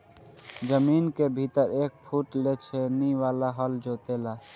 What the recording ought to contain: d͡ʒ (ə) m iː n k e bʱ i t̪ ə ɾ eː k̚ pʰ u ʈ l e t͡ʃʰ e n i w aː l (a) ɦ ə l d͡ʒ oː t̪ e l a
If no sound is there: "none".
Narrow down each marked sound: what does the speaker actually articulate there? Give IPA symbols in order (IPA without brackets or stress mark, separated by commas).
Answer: ə, a